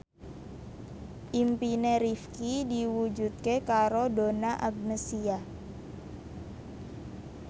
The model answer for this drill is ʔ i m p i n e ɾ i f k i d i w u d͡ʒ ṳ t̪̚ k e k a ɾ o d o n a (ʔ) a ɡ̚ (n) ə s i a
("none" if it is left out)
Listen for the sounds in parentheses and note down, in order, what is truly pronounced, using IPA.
ʔ, n

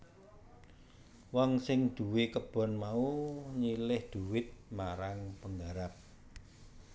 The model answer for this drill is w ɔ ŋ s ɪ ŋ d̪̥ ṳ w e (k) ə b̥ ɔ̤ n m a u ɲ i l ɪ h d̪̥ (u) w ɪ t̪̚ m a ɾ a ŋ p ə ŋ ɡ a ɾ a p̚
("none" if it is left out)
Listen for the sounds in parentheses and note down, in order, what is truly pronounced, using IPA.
k, u

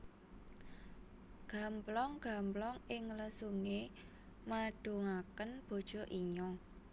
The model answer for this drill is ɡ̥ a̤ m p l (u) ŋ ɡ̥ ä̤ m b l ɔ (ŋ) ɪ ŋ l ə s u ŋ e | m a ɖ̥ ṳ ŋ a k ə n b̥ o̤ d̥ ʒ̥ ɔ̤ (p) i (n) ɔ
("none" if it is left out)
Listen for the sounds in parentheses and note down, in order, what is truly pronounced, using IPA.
ɔ, ŋ, ʔ, ɲ

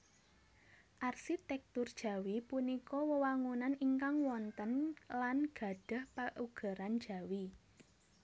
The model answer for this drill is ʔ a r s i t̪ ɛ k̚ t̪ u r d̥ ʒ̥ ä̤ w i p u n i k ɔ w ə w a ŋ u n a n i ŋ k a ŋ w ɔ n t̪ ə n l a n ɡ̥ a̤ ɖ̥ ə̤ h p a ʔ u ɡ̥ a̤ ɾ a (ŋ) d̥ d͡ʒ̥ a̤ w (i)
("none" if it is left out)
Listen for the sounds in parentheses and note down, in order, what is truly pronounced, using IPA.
n, i

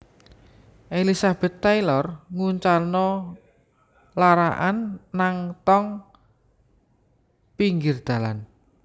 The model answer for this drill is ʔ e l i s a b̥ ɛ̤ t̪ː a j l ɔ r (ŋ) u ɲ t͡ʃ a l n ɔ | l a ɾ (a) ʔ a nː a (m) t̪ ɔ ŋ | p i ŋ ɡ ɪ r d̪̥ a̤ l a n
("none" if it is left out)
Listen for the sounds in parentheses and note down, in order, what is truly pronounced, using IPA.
ŋ, a, ŋ

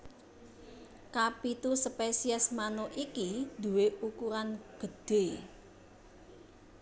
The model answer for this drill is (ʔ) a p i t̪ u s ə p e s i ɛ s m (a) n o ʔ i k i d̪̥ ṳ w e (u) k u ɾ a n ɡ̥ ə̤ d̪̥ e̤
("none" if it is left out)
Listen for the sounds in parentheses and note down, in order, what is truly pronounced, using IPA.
k, a, u

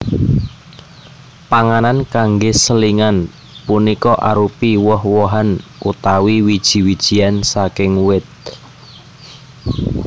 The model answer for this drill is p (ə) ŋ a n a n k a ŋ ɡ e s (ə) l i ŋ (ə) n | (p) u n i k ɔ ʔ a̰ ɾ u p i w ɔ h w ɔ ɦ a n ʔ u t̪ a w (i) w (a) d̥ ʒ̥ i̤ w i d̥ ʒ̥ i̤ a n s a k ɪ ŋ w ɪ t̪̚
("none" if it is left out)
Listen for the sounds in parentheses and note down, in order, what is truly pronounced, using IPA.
a, ə, a, p, i, i

